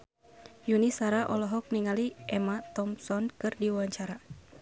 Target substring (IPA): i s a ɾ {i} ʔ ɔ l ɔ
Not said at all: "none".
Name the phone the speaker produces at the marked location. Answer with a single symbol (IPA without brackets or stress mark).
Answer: a